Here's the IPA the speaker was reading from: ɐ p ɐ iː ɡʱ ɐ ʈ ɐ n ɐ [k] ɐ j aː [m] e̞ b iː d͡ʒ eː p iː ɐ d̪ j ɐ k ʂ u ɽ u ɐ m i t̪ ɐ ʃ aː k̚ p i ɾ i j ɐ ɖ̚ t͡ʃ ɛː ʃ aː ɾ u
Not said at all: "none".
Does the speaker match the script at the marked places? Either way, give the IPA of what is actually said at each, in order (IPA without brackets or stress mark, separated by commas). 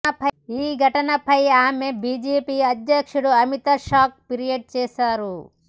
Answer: p, m